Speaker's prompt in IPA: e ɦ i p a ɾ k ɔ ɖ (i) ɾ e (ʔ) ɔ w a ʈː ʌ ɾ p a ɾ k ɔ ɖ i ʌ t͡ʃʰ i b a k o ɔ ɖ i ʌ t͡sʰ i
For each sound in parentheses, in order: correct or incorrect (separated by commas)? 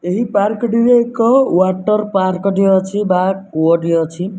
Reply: correct, incorrect